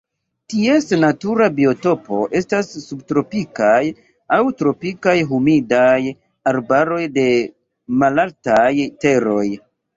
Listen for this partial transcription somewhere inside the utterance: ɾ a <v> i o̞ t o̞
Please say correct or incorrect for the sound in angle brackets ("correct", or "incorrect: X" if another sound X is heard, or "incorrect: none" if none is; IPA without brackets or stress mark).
incorrect: b